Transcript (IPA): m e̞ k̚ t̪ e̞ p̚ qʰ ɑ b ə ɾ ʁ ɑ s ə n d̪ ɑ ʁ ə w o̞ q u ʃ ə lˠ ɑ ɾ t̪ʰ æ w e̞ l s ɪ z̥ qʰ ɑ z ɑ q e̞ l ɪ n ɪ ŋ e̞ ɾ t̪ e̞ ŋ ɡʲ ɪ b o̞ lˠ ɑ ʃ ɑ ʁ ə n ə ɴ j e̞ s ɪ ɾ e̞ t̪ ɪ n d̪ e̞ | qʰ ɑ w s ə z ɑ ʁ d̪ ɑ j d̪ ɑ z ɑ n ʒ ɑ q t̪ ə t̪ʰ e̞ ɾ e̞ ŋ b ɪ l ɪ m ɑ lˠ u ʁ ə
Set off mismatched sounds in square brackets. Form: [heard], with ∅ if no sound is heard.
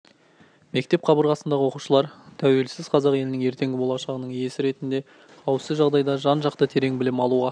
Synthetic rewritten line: m e̞ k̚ t̪ e̞ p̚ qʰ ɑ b ə ɾ ʁ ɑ s ə n d̪ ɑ ʁ ə w o̞ q u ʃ ə lˠ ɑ ɾ t̪ʰ æ w e̞ l s ɪ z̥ qʰ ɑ z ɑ q e̞ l ɪ n ɪ ŋ e̞ ɾ t̪ e̞ ŋ ɡʲ ɪ b o̞ lˠ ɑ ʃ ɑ ʁ ə n ə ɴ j e̞ s ɪ ɾ e̞ t̪ ɪ n d̪ e̞ | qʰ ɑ w s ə [ʒ] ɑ ʁ d̪ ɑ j d̪ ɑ [ʒ] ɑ n ʒ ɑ q t̪ ə t̪ʰ e̞ ɾ e̞ ŋ b ɪ l ɪ m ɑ lˠ u ʁ [ɑ]